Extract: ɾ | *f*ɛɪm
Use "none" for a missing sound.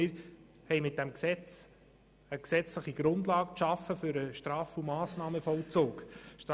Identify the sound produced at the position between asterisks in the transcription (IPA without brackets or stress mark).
h